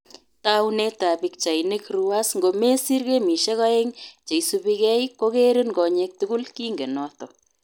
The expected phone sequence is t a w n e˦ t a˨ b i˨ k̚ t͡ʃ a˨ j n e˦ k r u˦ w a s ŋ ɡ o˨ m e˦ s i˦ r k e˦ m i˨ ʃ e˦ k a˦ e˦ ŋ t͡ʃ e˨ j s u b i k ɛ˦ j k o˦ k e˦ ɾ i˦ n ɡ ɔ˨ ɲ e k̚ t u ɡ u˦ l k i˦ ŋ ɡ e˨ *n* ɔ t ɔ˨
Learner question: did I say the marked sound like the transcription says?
yes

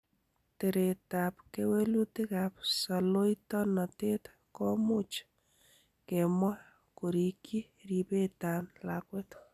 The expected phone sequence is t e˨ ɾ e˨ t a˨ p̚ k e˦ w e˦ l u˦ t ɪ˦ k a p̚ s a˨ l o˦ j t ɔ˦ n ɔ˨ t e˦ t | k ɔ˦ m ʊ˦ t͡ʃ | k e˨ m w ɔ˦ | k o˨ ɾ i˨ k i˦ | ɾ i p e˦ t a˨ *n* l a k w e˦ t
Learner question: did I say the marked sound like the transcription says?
yes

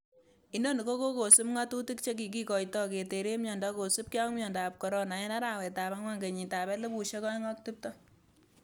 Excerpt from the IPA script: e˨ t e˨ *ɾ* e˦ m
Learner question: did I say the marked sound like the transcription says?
yes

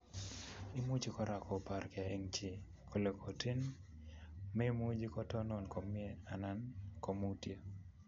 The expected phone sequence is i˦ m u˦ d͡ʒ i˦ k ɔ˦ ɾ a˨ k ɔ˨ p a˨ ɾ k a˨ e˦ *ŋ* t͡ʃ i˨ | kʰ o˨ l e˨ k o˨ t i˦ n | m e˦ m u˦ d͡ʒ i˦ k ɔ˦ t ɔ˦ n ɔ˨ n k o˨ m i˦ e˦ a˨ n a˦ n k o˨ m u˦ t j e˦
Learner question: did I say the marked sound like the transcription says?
yes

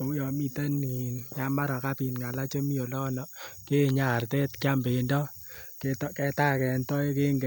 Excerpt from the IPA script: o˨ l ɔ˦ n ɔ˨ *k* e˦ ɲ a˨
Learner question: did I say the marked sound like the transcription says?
yes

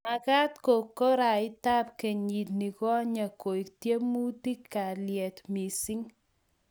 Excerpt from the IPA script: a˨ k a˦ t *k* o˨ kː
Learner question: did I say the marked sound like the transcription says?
yes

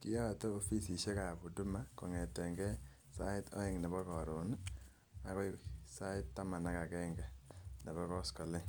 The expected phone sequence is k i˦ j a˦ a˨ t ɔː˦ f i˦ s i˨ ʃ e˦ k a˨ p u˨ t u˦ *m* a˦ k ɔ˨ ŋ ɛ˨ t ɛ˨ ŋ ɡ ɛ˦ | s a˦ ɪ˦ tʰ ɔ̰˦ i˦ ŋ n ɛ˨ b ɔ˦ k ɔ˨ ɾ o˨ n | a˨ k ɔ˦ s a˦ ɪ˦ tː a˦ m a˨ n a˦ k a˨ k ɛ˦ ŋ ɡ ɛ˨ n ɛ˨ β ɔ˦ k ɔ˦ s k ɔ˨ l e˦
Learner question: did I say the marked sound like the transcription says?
yes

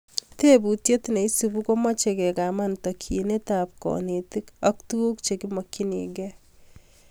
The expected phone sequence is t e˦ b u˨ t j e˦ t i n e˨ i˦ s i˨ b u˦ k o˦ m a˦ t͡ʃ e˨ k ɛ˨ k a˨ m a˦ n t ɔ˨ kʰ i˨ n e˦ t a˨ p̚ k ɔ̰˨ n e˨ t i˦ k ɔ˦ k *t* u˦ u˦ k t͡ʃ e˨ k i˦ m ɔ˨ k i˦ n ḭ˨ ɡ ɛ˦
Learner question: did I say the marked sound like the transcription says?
yes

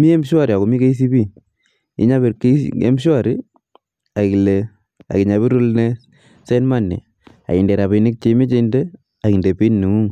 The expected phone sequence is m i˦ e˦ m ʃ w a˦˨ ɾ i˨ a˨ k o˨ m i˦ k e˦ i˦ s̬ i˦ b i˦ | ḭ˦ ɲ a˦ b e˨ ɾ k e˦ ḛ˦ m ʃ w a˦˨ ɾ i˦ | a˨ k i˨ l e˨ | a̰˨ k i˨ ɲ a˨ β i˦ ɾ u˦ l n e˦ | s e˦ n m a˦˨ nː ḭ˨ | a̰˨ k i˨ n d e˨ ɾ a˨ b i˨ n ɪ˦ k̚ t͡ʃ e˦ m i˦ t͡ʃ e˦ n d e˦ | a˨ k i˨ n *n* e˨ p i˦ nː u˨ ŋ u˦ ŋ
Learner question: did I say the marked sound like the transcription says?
no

